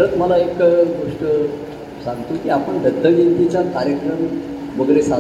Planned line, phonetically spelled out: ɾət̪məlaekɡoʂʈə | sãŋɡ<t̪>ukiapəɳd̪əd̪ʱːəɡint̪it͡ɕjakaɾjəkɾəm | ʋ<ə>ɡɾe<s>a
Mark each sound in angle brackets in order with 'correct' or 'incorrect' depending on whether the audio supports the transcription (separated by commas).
correct, correct, correct